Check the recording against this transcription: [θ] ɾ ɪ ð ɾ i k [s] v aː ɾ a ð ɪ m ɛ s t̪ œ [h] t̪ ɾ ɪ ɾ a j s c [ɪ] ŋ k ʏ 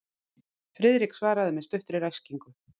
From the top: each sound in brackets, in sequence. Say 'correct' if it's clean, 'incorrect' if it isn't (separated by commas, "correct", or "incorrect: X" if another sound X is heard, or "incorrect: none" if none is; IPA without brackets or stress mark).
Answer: incorrect: f, correct, correct, incorrect: i